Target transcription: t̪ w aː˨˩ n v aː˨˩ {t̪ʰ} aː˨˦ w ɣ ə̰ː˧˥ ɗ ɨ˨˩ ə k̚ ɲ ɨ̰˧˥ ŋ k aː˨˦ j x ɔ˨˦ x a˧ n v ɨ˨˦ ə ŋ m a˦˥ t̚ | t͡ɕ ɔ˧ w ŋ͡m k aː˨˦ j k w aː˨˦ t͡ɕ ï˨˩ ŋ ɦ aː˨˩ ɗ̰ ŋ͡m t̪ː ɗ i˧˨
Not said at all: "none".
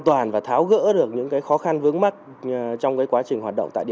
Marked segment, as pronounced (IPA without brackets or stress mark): t̪ʰ